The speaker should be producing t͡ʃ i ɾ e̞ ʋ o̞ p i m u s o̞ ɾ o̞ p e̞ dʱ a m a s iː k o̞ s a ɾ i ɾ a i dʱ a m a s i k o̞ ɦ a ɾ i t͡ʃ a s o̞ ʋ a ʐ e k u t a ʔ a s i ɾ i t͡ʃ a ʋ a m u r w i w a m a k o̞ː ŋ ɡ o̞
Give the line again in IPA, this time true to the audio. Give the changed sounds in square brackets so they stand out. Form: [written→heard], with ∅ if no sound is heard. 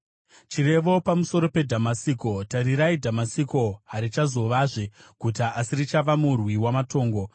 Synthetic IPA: t͡ʃ i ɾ e̞ ʋ o̞ p [i→a] m u s o̞ ɾ o̞ p e̞ dʱ a m a s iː k o̞ [s→t] a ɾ i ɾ a i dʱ a m a s i k o̞ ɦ a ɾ i t͡ʃ a [s→z] o̞ ʋ a ʐ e k u t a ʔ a s i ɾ i t͡ʃ a ʋ a m u r w i w a m a [k→t] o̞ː ŋ ɡ o̞